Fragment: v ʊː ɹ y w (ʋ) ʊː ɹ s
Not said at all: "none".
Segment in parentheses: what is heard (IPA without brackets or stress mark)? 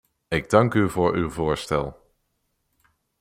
v